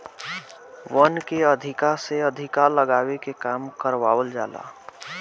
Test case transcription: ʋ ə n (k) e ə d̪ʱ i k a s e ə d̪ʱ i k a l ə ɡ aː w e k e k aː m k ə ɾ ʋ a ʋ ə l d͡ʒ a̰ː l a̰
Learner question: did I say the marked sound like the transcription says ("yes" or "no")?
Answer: yes